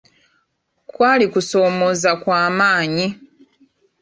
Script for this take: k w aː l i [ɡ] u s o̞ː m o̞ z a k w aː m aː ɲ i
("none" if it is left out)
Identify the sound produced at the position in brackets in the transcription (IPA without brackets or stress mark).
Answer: k